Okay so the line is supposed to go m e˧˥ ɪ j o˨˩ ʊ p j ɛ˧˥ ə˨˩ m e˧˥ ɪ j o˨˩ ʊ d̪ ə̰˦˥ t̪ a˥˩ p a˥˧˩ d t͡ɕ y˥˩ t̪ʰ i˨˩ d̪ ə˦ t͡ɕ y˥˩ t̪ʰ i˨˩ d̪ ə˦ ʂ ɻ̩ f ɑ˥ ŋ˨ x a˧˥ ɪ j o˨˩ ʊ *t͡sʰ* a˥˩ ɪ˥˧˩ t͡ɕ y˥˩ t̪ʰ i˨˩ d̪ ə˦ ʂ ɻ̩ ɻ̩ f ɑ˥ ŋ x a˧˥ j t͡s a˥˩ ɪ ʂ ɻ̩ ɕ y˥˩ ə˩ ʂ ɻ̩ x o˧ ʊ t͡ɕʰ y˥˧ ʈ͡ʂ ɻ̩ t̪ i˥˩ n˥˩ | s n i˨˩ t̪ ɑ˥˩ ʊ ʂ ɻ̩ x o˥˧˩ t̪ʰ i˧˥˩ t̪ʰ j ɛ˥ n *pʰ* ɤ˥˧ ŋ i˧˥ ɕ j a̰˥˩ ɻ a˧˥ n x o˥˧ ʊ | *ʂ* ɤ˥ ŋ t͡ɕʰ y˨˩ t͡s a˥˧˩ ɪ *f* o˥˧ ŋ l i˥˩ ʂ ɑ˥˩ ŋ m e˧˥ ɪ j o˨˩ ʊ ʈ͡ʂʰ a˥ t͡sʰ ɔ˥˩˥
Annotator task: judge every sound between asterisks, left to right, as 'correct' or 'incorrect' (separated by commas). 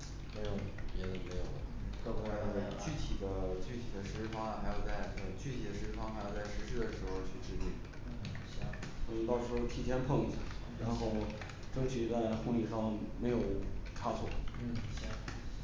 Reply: incorrect, correct, incorrect, incorrect